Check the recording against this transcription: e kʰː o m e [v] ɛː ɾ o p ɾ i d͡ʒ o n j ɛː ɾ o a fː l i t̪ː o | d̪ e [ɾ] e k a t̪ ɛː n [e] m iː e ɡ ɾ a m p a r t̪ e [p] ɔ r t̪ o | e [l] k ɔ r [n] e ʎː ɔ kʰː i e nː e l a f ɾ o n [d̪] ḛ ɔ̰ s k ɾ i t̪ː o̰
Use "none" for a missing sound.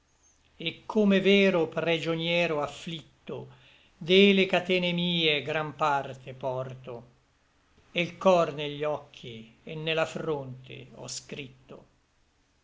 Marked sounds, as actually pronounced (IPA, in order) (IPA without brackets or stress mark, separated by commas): v, l, e, p, l, n, t̪